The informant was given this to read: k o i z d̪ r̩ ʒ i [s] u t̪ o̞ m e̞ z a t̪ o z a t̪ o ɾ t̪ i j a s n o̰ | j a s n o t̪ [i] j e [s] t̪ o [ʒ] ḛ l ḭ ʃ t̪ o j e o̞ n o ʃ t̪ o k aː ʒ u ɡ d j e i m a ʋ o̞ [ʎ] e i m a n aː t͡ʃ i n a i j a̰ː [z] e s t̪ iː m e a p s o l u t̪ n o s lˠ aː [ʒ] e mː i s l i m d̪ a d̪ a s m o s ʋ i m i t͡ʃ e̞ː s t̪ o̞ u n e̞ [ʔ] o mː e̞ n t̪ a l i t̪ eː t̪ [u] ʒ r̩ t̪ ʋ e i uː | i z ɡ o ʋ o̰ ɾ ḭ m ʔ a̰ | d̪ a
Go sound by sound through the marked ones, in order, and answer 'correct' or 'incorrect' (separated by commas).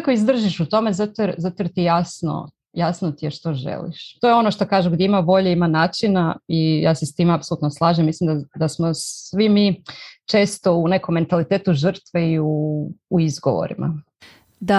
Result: incorrect, correct, incorrect, correct, correct, incorrect, correct, incorrect, correct